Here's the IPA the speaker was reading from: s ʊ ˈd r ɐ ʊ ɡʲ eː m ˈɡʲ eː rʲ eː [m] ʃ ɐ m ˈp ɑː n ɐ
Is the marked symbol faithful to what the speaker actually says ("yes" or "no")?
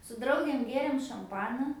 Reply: yes